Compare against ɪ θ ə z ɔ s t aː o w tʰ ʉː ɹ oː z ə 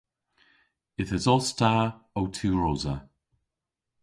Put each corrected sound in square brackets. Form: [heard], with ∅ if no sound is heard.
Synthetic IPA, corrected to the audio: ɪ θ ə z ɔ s t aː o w tʰ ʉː ɹ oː z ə

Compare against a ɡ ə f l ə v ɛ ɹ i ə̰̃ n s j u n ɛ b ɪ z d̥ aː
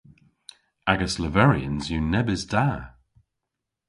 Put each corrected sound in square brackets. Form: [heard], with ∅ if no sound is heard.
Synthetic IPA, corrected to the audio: a ɡ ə [s] l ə v ɛ ɹ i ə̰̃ n [z] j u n ɛ b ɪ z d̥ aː

